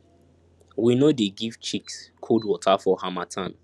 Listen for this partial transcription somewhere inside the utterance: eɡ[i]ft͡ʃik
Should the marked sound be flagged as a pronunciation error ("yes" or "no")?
no